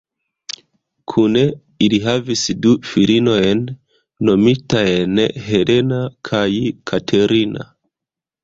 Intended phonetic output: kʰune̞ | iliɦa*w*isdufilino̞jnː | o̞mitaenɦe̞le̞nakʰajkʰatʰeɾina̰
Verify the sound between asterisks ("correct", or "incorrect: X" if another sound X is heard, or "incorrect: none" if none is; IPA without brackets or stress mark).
incorrect: v